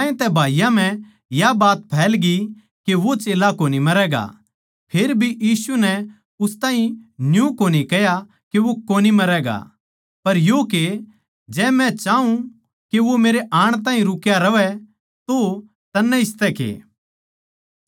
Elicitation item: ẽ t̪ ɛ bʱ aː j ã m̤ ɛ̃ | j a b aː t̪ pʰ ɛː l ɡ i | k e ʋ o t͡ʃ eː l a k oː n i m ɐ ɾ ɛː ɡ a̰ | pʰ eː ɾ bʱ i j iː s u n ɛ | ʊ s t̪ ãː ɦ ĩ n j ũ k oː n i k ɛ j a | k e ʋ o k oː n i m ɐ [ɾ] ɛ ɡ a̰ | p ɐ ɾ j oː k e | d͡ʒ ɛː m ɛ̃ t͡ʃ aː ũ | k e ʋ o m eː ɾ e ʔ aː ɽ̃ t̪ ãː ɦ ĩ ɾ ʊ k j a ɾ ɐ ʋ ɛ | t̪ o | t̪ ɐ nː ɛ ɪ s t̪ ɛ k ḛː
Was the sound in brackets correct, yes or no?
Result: yes